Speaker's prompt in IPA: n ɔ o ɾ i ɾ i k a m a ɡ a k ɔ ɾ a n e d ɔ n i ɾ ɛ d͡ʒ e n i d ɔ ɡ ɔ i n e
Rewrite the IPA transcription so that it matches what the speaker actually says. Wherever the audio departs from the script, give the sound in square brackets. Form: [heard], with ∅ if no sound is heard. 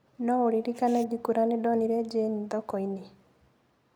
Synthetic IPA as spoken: n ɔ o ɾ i ɾ i k a [n] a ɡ [i] k [u] ɾ a n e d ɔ n i ɾ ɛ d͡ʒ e n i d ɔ [k] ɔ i n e